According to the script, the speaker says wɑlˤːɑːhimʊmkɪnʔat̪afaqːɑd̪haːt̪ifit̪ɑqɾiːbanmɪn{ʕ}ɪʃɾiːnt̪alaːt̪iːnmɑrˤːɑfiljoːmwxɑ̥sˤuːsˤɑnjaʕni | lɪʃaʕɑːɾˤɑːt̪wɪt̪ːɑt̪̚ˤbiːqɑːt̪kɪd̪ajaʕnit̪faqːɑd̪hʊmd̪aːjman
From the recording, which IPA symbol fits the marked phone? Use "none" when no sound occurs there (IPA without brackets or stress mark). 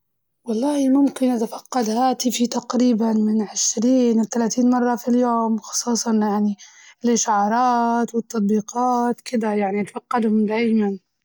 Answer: ʕ